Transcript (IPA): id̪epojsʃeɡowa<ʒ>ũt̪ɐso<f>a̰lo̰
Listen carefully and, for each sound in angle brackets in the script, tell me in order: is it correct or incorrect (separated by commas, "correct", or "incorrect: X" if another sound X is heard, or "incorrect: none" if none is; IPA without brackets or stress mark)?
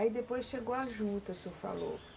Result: correct, correct